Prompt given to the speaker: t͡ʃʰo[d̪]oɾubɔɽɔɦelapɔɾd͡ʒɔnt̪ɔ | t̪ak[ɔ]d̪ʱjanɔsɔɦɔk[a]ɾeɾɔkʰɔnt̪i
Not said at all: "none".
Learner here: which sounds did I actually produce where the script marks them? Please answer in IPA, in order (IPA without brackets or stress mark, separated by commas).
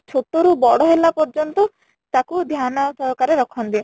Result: t̪, u, a